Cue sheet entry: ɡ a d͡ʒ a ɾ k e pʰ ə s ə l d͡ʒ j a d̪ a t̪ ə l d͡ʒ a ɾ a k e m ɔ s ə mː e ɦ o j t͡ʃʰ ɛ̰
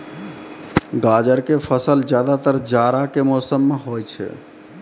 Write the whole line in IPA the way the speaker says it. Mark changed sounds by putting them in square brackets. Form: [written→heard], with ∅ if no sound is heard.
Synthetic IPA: ɡ a d͡ʒ [a→ə] ɾ k e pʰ ə s ə l d͡ʒ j a d̪ a t̪ ə [l→ɾ] d͡ʒ a ɾ a k e m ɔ s ə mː e ɦ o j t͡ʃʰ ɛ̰